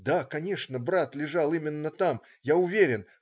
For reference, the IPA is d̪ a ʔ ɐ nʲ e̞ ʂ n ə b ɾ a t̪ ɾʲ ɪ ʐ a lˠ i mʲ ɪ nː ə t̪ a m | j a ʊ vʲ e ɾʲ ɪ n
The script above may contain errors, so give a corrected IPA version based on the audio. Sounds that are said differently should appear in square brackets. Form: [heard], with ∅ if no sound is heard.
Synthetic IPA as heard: d̪ a [k] ɐ nʲ e̞ ʂ n ə b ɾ a t̪ [lʲ] ɪ ʐ a lˠ i mʲ ɪ nː ə t̪ a m | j a ʊ vʲ e ɾʲ ɪ n